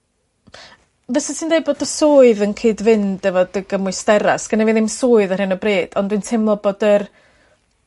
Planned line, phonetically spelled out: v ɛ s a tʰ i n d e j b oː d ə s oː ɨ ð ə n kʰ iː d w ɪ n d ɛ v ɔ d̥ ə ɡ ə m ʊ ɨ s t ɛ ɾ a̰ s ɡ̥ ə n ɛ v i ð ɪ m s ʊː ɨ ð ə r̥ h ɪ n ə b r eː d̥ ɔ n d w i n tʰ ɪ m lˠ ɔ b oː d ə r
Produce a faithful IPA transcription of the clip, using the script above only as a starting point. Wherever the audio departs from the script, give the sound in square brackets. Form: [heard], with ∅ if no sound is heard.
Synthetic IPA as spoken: v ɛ s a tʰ i n d e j b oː d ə s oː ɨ ð ə n kʰ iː d [v] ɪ n d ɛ v ɔ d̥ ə ɡ ə m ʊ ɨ s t ɛ ɾ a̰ s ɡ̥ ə n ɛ v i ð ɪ m s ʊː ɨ ð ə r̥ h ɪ n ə b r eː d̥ ɔ n d w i n tʰ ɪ m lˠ ɔ b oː d ə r